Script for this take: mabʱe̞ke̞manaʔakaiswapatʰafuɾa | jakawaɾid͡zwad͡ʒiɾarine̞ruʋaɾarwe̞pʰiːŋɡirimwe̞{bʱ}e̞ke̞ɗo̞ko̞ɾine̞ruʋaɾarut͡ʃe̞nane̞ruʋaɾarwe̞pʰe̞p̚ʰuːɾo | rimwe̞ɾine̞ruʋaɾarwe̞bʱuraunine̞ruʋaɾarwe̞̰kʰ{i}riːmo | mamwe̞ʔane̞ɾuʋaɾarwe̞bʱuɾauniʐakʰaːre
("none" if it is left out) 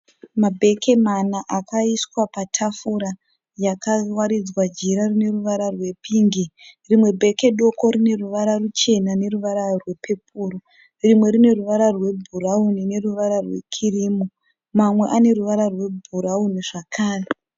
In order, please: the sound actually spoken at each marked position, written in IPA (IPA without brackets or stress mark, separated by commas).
bʱ, i